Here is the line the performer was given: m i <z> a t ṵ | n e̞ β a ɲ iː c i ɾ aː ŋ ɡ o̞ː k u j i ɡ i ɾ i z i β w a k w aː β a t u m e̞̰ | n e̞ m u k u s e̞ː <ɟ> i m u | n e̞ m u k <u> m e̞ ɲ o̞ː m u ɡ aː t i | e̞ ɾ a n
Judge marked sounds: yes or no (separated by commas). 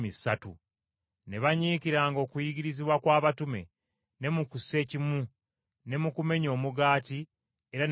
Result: no, no, yes